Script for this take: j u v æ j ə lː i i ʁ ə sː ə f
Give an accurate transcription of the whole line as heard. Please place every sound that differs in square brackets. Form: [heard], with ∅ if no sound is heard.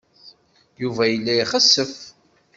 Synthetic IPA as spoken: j u v æ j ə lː [æ] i [χ] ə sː ə f